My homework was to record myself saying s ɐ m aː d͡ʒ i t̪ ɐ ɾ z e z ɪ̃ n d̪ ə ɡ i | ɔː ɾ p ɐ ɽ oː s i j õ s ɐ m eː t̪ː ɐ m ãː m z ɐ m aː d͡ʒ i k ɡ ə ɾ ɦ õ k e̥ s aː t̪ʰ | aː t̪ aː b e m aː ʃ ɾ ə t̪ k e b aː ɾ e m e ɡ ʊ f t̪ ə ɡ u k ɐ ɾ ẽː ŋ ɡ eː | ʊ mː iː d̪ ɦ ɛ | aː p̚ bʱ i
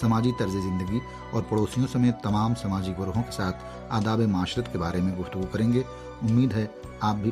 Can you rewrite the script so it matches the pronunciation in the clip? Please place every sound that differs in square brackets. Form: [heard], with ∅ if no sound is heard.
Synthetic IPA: s ɐ m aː d͡ʒ i t̪ ɐ ɾ z e z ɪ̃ n d̪ ə ɡ i | ɔː ɾ p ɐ ɽ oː s i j õ s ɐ m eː t̪ː ɐ m [aː] m [s] ɐ m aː d͡ʒ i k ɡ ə ɾ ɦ õ k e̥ s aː t̪ʰ | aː [d̪] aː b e m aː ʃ ɾ ə t̪ k e b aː ɾ e m [ẽ] ɡ ʊ f t̪ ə ɡ u k ɐ ɾ ẽː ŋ ɡ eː | ʊ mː iː d̪ ɦ ɛ | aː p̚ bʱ i